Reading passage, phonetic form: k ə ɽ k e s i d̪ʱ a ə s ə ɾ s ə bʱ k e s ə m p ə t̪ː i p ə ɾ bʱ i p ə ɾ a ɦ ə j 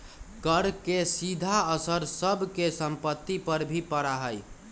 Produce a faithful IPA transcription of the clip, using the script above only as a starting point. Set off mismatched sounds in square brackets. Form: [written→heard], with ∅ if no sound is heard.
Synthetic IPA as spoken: k ə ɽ k e s i d̪ʱ a ə s ə ɾ s ə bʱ k e s ə m p ə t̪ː i p ə ɾ bʱ i p ə ɾ a ɦ ə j